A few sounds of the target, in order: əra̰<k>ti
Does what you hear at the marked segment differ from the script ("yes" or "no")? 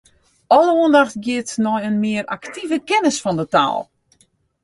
no